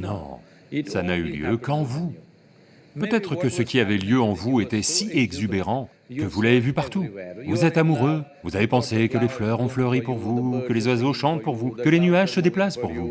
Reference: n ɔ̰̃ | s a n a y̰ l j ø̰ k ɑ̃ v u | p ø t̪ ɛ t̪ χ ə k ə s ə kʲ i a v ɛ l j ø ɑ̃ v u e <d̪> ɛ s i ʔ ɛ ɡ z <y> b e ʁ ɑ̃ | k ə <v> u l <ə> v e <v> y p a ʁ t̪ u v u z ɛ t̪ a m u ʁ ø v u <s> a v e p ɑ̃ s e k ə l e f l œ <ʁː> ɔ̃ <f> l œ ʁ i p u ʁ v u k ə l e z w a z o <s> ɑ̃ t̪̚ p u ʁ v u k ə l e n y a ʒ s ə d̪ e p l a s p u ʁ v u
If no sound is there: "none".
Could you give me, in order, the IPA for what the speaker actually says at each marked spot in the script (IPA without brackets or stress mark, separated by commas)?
t̪, y, v, a, v, z, ʁ, f, ʃ